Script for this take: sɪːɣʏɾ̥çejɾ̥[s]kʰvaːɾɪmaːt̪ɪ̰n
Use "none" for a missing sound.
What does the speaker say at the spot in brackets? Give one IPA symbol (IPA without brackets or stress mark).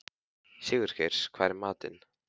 s